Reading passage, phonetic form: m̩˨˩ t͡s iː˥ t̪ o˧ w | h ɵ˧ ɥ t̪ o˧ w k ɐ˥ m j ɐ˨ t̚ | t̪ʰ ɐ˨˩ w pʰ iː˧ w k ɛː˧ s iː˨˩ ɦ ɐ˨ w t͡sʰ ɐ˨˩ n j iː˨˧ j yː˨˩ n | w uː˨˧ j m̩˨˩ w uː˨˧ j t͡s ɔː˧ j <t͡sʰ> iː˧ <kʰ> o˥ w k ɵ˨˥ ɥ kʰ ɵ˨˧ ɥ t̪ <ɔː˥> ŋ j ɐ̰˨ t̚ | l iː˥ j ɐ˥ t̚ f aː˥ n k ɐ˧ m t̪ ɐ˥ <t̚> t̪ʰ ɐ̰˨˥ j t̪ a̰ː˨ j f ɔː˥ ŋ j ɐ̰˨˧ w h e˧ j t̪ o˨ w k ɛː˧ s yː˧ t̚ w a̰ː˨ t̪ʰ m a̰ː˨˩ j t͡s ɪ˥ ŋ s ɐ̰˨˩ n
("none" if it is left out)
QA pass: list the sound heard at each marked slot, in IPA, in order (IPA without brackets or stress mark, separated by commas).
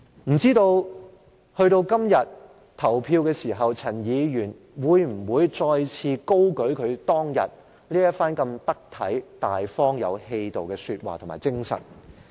t͡sʰ, k, ɔː˥, k̚